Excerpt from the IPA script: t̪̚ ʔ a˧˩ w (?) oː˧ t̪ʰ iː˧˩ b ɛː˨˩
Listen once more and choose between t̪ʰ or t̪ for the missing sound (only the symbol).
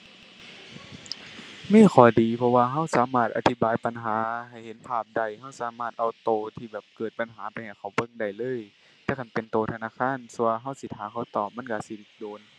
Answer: t̪